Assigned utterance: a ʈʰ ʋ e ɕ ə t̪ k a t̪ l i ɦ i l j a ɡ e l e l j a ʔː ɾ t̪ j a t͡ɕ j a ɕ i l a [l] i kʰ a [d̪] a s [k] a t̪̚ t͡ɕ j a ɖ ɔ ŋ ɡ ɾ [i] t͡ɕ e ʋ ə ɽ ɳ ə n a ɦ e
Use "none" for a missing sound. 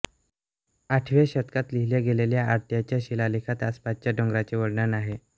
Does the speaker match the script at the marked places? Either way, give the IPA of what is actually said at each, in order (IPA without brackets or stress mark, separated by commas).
l, t̪, p, a